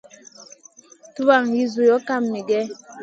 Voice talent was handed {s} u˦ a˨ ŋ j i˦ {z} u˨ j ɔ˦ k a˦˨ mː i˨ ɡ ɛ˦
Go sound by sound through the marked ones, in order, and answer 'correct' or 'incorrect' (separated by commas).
incorrect, correct